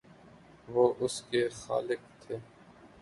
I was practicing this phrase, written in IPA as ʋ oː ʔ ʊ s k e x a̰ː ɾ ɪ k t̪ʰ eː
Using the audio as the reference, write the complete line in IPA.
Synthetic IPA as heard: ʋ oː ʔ ʊ s k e x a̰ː l ɪ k t̪ʰ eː